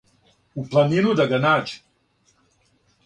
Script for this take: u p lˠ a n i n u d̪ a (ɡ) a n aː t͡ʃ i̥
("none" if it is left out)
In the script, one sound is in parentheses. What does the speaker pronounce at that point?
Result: ɡ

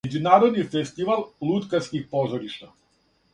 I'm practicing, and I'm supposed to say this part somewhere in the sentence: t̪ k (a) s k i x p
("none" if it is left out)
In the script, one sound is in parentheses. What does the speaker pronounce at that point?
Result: a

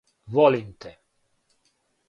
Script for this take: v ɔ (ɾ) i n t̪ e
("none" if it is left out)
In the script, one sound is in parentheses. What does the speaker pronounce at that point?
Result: l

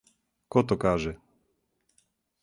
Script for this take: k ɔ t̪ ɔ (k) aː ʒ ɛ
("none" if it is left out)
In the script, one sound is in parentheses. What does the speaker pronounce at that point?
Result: k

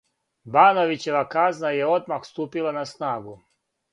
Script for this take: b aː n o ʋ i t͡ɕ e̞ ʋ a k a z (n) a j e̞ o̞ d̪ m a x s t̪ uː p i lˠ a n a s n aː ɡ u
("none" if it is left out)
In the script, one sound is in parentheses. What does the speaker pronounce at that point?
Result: n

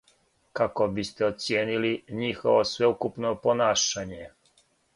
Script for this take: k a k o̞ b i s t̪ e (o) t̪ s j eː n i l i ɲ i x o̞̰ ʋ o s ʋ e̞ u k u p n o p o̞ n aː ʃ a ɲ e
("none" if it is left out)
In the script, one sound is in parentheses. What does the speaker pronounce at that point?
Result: o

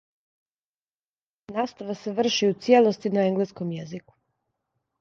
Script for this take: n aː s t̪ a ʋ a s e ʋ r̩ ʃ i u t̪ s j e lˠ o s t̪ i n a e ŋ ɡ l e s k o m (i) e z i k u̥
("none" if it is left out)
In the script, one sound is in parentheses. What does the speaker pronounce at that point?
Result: j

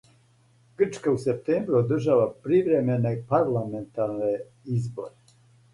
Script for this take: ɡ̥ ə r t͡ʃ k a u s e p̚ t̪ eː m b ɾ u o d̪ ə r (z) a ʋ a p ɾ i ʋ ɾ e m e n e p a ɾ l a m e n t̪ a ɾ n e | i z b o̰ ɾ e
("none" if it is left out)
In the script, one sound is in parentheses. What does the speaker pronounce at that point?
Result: ʒ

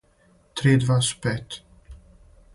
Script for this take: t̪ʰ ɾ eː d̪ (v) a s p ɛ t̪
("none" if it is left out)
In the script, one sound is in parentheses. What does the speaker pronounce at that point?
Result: v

